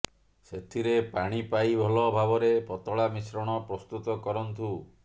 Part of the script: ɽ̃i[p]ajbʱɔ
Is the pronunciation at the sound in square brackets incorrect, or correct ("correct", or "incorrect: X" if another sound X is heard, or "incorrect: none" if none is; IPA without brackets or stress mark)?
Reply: correct